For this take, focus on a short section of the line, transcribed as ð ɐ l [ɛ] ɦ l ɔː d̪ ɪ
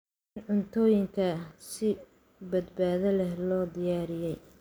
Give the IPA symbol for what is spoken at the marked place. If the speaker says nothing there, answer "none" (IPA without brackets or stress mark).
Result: ɛ